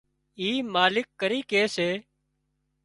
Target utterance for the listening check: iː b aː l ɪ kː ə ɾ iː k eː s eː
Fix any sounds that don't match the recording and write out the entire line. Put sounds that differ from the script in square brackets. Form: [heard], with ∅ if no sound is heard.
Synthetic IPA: iː [m] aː l ɪ kː ə ɾ iː k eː s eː